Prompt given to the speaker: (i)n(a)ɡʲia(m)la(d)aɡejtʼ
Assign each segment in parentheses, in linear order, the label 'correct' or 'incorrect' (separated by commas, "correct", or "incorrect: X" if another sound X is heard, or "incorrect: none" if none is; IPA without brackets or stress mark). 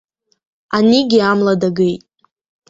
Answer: incorrect: a, incorrect: i, correct, correct